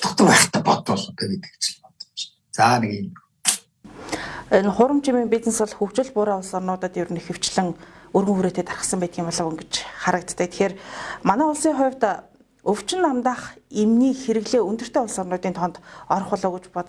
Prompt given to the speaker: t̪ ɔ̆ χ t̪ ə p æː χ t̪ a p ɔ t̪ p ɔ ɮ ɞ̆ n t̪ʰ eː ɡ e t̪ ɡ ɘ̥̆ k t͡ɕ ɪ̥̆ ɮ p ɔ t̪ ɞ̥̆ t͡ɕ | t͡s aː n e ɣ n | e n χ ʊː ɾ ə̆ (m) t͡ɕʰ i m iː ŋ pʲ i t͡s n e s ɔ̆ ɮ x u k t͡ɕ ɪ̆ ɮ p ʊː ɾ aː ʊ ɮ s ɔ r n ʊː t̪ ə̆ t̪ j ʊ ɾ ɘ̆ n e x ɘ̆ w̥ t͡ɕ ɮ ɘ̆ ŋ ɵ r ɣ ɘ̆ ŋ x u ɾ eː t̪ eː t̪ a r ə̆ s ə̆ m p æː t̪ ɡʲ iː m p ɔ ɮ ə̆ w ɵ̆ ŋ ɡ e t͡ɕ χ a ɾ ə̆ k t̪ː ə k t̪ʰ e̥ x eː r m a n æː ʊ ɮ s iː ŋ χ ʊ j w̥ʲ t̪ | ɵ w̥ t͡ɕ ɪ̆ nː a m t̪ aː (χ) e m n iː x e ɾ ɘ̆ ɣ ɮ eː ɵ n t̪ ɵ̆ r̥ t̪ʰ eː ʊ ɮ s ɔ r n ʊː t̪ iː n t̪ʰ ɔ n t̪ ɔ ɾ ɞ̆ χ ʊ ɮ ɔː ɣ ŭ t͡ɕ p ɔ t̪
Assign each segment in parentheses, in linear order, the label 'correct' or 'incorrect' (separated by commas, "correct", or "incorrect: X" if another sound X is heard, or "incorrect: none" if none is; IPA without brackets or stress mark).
correct, correct